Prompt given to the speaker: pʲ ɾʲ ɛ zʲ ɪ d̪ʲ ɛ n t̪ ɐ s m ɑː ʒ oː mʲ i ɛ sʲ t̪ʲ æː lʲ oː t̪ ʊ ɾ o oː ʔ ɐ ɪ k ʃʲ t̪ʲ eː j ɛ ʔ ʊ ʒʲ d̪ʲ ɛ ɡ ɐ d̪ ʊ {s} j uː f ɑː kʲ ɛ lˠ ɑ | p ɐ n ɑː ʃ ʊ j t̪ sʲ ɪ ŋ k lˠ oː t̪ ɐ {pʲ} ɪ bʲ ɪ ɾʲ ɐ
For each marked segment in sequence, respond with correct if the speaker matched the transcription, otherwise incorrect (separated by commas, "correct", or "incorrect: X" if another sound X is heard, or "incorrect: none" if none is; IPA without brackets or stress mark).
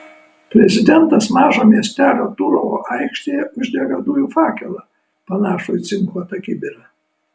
incorrect: none, incorrect: kʲ